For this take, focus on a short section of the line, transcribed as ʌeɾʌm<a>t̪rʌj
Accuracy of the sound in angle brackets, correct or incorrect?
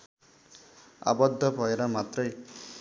correct